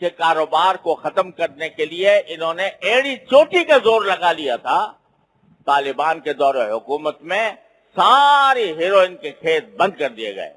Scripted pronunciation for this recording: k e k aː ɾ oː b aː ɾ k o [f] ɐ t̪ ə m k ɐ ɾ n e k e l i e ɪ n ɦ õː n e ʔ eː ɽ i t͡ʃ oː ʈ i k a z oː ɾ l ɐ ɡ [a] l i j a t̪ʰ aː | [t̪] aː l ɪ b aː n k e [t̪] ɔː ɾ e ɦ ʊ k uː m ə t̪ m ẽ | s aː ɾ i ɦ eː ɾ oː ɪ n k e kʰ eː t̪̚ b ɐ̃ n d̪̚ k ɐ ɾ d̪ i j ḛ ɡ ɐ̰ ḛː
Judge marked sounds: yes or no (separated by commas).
no, yes, yes, no